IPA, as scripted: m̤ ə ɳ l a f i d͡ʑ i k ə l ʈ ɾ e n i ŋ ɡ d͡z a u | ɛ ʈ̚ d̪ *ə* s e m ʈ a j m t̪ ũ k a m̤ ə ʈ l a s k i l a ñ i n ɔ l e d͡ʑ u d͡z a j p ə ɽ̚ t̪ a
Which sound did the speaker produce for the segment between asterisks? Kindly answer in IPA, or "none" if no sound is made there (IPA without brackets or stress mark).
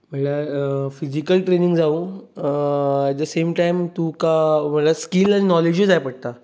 ə